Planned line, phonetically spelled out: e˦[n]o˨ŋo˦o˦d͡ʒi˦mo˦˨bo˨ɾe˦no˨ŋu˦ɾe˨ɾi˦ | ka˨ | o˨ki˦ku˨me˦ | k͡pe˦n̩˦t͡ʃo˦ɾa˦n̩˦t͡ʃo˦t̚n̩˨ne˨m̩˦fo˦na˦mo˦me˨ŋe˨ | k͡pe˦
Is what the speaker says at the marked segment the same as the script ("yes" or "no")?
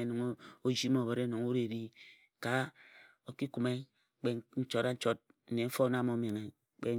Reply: yes